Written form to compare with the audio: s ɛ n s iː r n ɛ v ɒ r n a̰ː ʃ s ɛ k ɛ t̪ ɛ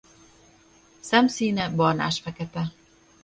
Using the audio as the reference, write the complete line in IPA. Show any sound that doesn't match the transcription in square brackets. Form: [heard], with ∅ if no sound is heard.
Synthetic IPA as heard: s ɛ [m] s iː [∅] n ɛ [b] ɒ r n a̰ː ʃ [f] ɛ k ɛ t̪ ɛ